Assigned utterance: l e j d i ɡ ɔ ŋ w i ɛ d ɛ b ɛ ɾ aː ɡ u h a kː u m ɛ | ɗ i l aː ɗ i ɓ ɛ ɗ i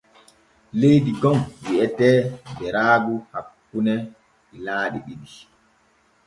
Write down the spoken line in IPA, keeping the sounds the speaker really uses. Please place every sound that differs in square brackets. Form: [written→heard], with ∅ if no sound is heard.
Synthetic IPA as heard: l e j d i ɡ ɔ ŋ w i ɛ [d→t] ɛ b ɛ ɾ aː ɡ u h a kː u [m→n] ɛ | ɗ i l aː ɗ i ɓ [ɛ→i] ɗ i